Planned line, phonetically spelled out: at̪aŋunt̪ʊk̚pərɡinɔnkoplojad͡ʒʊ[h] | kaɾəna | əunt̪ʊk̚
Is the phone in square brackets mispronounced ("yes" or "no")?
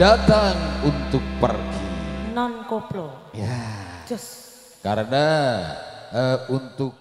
yes